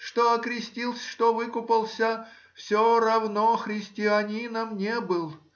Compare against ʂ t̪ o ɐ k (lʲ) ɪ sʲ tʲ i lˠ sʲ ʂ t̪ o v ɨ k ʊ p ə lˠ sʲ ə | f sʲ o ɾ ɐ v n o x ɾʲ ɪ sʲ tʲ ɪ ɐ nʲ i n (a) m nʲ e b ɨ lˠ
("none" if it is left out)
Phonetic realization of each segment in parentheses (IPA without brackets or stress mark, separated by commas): ɾʲ, ə